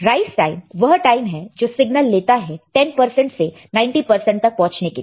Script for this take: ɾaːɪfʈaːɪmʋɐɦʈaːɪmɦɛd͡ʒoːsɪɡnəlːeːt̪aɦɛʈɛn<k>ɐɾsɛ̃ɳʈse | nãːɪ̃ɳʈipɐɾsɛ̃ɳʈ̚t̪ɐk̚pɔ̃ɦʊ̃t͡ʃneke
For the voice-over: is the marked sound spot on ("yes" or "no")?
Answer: no